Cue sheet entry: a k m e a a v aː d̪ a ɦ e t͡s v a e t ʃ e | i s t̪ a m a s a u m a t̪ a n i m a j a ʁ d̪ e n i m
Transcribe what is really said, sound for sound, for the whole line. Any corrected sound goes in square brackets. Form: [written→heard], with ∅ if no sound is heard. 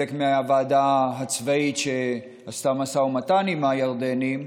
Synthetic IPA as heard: [a→e] k m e a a v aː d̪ a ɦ [e→a] t͡s v a [e→i] t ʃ e | [i→a] s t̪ a m a s a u m a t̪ a n i m a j a ʁ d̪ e n i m